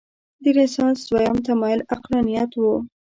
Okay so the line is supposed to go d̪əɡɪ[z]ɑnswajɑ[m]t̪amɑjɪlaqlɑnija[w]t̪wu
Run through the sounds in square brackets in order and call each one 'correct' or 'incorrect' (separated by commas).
incorrect, correct, incorrect